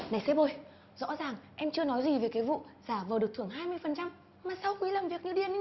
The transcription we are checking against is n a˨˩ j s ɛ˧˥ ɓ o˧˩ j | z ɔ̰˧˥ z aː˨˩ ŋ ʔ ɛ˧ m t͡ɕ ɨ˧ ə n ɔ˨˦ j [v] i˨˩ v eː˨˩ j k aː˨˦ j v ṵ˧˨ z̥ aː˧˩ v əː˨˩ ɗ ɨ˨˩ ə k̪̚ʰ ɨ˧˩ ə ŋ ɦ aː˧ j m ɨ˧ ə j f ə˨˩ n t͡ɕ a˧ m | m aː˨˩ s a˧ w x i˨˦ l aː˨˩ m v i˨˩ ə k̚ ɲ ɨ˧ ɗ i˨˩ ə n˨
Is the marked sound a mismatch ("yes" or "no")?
yes